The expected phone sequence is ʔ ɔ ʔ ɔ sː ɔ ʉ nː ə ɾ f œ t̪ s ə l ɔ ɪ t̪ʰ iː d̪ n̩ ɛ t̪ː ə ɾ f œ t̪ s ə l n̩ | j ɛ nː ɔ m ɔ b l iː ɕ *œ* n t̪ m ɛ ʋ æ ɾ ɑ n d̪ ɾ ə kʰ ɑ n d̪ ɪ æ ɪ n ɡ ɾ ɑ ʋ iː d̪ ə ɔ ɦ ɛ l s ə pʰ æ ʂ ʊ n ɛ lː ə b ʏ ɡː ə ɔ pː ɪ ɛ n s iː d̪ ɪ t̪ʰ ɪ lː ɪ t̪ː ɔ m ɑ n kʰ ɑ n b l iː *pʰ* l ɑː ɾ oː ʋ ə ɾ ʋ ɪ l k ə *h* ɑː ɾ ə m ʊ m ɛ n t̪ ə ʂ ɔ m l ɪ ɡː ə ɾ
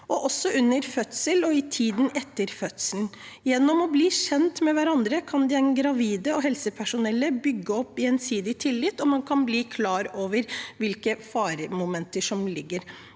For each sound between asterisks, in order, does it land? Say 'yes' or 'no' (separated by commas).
no, no, no